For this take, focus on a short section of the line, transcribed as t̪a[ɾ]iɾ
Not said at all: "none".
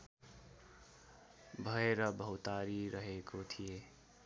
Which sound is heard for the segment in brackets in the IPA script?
ɾ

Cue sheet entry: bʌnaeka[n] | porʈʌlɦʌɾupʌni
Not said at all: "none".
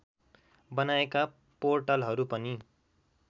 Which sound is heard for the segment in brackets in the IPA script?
none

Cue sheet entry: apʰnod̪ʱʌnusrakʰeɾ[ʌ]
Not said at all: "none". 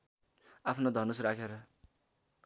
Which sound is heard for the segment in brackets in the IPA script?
ʌ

